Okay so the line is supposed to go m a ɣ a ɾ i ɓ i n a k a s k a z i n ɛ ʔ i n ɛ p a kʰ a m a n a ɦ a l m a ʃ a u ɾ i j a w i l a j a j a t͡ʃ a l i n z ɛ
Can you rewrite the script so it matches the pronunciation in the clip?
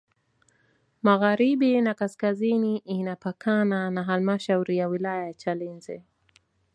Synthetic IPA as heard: m a ɣ a ɾ i ɓ i n a k a s k a z i n i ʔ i n a p a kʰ a n a n a ɦ a l m a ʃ a u ɾ i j a w i l a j a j a t͡ʃ a l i n z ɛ